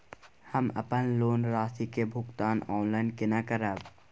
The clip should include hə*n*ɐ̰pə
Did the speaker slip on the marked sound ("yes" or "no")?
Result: yes